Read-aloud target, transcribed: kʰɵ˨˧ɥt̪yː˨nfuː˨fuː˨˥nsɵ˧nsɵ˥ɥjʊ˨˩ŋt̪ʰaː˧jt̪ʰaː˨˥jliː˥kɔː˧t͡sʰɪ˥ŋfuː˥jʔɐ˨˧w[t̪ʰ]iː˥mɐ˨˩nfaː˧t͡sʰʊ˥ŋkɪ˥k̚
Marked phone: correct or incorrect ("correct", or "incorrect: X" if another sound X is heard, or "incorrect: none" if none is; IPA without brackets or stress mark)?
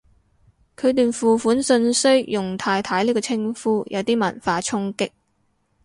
incorrect: t̪